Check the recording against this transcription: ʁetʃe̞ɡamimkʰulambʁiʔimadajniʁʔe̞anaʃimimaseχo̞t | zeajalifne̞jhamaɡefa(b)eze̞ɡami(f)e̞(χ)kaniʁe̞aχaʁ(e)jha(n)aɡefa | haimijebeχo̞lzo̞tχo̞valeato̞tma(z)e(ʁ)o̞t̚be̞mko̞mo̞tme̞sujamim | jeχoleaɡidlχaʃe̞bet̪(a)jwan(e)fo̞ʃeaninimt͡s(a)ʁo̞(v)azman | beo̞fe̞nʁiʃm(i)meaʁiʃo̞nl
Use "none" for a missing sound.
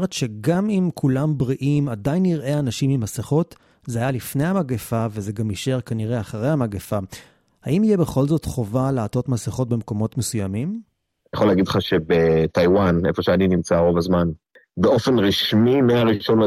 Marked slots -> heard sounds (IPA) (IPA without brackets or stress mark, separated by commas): v, ʃ, ʁ, e, m, s, χ, a, e, a, v, i